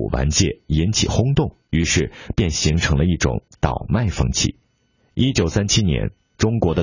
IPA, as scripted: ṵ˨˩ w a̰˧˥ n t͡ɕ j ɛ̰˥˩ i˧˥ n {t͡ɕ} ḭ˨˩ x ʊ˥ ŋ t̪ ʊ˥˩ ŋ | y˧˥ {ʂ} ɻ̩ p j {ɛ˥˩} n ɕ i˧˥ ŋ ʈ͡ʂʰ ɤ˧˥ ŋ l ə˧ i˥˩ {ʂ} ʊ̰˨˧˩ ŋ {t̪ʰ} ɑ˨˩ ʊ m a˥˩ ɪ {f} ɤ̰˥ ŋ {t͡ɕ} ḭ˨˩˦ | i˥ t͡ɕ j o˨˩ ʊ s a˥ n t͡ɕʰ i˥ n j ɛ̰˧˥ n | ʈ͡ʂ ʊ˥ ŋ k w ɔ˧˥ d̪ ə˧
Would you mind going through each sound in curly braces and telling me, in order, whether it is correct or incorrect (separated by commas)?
incorrect, correct, correct, incorrect, incorrect, correct, incorrect